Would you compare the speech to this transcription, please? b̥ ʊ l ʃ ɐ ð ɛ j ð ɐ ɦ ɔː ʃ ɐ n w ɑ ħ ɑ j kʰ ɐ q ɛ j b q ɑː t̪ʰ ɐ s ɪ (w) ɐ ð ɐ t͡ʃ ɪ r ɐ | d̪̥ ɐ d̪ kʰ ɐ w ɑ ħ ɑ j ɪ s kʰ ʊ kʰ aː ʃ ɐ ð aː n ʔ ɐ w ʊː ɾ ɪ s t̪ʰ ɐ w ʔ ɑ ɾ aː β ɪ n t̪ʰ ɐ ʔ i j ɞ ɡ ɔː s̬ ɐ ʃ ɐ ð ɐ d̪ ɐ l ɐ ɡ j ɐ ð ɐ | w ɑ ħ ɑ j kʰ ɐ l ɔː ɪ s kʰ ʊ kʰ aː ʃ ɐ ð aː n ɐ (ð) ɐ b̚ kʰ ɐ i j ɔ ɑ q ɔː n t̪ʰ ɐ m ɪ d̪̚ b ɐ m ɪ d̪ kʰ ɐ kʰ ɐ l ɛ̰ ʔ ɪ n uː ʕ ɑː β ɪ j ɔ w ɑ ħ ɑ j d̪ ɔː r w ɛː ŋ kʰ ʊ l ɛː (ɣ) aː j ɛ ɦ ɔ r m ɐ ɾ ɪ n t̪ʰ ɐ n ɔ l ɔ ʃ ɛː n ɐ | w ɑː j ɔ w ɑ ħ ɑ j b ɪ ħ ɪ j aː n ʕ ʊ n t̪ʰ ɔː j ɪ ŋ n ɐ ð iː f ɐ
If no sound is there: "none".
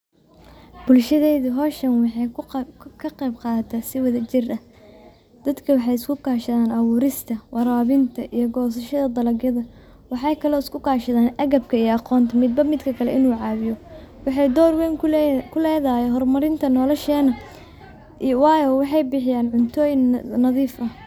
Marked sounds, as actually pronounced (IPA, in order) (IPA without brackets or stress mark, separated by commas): w, ɣ, ð